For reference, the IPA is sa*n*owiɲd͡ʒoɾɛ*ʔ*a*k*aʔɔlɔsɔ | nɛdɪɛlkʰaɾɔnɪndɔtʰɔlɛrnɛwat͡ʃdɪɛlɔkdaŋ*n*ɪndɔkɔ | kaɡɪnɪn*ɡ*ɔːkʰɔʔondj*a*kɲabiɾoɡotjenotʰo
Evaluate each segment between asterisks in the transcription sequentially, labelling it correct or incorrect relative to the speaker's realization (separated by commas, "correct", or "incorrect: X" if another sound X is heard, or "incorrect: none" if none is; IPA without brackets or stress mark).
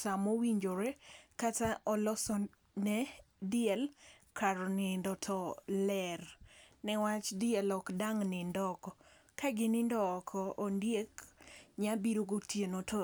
incorrect: m, incorrect: k, incorrect: t, correct, incorrect: d, incorrect: e